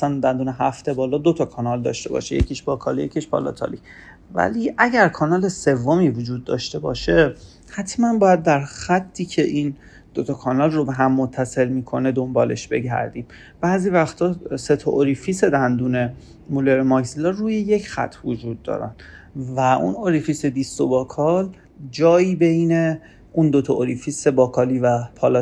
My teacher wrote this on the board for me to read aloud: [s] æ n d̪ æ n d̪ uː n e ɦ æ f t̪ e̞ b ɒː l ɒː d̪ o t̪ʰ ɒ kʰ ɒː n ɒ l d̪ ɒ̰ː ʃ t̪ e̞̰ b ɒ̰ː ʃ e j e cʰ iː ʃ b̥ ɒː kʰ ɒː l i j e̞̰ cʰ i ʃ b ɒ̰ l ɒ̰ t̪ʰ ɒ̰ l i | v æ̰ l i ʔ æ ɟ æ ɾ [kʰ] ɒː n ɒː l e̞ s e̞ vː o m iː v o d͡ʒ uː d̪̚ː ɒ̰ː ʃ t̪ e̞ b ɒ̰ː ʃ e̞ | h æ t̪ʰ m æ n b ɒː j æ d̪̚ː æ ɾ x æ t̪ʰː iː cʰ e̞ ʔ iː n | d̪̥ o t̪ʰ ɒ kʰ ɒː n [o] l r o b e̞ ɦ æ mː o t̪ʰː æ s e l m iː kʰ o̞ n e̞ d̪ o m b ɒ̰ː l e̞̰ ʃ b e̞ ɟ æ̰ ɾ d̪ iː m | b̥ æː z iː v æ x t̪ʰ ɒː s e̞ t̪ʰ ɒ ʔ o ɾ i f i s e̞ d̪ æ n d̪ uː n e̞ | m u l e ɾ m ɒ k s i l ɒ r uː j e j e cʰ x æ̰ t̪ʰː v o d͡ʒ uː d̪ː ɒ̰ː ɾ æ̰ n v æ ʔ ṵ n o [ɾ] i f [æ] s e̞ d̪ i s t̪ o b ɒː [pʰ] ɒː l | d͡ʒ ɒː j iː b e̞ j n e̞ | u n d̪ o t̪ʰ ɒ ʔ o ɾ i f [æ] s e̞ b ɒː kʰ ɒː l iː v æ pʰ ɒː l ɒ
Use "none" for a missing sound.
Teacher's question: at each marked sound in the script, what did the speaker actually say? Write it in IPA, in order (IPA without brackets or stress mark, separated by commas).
s, kʰ, ɒ, ɾ, i, kʰ, i